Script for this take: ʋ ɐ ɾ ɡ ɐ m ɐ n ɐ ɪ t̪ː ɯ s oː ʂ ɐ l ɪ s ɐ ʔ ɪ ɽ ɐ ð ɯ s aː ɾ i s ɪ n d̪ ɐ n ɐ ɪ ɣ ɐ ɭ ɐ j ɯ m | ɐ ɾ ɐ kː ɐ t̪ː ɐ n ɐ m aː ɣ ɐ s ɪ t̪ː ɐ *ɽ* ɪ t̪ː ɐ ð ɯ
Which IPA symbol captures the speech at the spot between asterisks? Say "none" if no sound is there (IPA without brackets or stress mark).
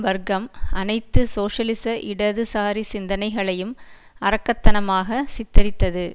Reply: ɾ